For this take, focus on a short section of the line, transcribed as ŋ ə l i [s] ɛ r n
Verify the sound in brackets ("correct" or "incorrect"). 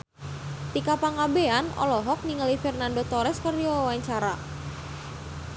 incorrect